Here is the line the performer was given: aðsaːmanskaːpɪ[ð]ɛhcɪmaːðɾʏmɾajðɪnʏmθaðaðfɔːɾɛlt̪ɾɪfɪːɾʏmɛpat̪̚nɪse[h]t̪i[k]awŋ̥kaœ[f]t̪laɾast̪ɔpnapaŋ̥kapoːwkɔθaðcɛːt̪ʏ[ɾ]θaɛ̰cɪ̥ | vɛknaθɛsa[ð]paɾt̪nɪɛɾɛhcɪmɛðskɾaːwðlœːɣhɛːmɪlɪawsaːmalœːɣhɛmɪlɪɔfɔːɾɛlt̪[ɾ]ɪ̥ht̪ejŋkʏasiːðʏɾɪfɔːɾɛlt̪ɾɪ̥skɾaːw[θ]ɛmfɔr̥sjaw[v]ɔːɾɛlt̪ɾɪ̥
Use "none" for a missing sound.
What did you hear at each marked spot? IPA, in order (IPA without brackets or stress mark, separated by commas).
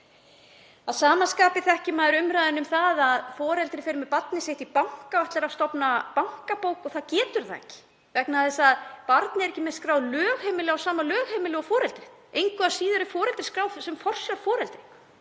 θ, h, p, h, ɾ, ð, ɾ, s, f